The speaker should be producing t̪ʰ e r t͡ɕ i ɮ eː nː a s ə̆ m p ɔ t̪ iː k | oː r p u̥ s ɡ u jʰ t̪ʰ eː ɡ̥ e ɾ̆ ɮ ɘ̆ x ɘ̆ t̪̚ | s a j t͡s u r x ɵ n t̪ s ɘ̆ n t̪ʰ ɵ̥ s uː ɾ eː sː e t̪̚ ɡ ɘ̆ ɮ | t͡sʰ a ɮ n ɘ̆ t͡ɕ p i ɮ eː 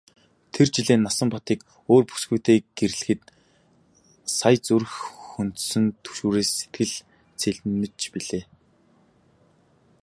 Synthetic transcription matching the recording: t̪ʰ e r t͡ɕ i ɮ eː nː a s ə̆ m p ɔ t̪ iː k | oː r p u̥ s ɡ u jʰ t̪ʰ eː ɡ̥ e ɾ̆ ɮ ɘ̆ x ɘ̆ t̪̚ | s a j t͡s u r x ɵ n t̪ s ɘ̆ n t̪ʰ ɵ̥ ʃ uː ɾ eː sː e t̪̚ ɡ ɘ̆ ɮ | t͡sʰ e ɮ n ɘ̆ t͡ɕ p i ɮ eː